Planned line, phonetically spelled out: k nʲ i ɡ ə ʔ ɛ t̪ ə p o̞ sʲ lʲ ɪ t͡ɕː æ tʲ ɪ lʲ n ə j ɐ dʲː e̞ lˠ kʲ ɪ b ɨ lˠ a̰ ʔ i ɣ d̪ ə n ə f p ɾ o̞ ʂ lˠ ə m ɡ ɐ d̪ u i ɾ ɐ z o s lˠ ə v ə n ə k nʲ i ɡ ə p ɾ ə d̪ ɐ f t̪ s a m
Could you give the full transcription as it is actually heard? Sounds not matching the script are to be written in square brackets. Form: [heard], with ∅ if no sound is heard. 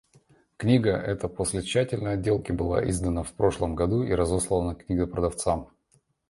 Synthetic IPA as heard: k nʲ i ɡ ə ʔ ɛ t̪ ə p o̞ sʲ lʲ ɪ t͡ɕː æ tʲ ɪ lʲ n ə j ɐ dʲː e̞ lˠ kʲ ɪ b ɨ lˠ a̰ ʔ i [z] d̪ ə n ə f p ɾ o̞ ʂ lˠ ə m ɡ ɐ d̪ u i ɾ ɐ z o s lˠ ə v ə n ə k nʲ i ɡ ə p ɾ ə d̪ ɐ f t̪ s a m